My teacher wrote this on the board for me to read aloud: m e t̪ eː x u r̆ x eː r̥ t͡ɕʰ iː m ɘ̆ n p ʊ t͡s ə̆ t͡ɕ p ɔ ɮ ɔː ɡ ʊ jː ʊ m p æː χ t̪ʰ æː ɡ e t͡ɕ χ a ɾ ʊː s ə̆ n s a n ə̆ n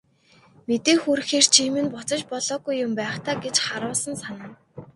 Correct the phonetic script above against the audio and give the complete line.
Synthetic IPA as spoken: m e t̪ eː x u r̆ x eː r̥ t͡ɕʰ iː m ɘ̆ n p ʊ t͡s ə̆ t͡ɕ p ɔ ɮ ɔː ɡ u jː ʊ m p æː χ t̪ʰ aː ɡ e t͡ɕ χ a ɾ ʊː s ə̆ n s a n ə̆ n

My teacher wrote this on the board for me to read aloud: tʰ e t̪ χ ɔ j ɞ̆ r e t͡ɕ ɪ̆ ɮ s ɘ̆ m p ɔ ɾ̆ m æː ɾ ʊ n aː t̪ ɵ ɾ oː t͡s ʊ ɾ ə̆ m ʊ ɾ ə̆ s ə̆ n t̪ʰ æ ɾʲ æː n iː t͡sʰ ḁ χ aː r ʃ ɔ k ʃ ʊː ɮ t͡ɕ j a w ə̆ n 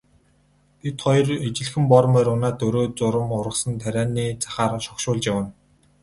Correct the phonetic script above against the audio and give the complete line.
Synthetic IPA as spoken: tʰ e t̪ χ ɔ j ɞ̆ r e t͡ɕ ɪ̆ ɮ x ɘ̆ m p ɔ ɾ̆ m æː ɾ ʊ n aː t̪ ɵ ɾ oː t͡s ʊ ɾ ə̆ m ʊ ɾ ə̆ s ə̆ n t̪ʰ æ ɾʲ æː n iː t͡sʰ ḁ χ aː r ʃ ɔ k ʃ ʊː ɮ t͡ɕ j a w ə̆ n

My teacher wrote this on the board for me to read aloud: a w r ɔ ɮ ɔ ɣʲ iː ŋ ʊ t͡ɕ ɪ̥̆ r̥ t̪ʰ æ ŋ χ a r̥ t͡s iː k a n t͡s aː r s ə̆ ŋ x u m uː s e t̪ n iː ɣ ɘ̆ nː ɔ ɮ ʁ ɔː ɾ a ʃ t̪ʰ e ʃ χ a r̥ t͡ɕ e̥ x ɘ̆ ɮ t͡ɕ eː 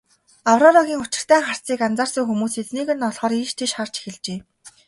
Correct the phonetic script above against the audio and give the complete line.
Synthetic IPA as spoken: a w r ɔ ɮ ɔ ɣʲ iː ŋ ʊ t͡ɕ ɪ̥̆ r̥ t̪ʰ æː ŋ χ a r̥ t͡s iː k a n t͡s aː r s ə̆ ŋ x u m uː s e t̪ n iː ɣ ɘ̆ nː ɔ ɮ ʁ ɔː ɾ i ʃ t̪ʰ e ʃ χ a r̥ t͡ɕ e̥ x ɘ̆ ɮ t͡ɕ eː

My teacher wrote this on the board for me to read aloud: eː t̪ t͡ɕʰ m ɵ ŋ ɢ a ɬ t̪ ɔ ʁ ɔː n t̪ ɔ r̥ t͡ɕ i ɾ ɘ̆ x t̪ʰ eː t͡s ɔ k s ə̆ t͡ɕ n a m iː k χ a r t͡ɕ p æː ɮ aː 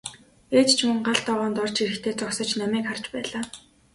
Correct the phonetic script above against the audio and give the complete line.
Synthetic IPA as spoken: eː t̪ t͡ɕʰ m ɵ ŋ ɢ a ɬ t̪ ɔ ʁ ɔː n t̪ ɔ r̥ t͡ɕ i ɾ ɘ̆ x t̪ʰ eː t͡s ɔ k s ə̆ t͡ɕ n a m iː k χ a r t͡ɕ p æː ɮ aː

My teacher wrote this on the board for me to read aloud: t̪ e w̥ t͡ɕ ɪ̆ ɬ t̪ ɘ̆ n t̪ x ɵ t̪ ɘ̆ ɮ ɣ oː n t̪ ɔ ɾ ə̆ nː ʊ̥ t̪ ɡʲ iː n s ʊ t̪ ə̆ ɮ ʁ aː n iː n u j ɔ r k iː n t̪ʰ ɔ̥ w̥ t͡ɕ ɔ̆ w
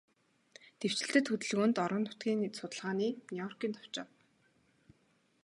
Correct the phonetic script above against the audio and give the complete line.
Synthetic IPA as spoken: t̪ e w̥ t͡ɕ ɪ̆ ɬ t̪ ɘ̆ t̪ x ɵ t̪ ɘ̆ ɮ ɣ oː n t̪ ɔ ɾ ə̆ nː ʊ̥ t̪ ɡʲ iː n s ʊ t̪ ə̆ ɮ ʁ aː n iː n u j ɔ r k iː n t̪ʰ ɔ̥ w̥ t͡ɕ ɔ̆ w

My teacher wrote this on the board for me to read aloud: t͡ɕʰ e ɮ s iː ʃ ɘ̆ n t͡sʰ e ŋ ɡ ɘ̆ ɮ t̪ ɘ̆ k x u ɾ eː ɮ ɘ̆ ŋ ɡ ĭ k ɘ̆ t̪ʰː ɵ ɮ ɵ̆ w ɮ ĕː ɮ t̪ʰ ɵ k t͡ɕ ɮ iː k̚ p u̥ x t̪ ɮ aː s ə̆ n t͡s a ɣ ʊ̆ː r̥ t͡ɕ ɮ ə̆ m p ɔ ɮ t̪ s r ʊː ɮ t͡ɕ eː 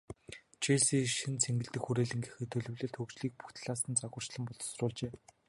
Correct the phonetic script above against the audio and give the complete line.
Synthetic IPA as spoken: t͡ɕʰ e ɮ s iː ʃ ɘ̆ n t͡sʰ e ŋ ɡ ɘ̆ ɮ t̪ ɘ̆ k x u ɾ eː ɮ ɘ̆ ŋ ɡ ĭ x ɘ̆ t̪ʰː ɵ ɮ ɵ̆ w ɮ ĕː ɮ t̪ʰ ɵ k t͡ɕ ɮ iː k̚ p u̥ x t̪ ɮ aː s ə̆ n t͡s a ɣ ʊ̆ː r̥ t͡ɕ ɮ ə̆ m p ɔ ɮ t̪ s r ʊː ɮ t͡ɕ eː

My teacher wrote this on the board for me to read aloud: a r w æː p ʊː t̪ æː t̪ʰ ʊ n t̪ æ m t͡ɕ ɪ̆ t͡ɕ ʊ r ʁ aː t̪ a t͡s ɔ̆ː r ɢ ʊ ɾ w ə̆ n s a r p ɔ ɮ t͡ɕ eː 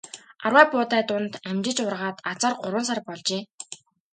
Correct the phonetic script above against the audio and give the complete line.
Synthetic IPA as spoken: a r w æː p ʊː t̪ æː t̪ ʊ n t̪ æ m t͡ɕ ɪ̆ t͡ɕ ʊ r ʁ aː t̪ a t͡s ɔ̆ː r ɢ ʊ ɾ w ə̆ n s a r p ɔ ɮ t͡ɕ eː

